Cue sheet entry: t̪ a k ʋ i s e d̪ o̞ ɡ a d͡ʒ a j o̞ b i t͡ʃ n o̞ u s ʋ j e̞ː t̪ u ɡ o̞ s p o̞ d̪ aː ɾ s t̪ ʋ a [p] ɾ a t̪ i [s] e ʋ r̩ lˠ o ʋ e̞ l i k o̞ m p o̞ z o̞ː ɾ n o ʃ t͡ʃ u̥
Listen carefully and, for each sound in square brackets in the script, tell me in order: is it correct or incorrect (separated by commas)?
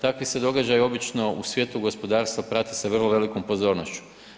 correct, correct